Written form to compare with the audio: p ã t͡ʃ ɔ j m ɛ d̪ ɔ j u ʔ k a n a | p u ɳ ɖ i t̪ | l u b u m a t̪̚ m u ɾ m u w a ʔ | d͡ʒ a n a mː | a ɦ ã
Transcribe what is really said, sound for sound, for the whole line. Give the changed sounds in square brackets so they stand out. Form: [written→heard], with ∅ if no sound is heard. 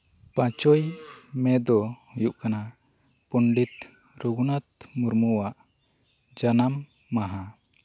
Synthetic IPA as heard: p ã t͡ʃ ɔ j m ɛ d̪ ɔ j u ʔ k a n a | p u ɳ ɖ i t̪ | [l→ɾ] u [b→ɡ] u [m→n] a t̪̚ m u ɾ m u w a ʔ | d͡ʒ a n a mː | a ɦ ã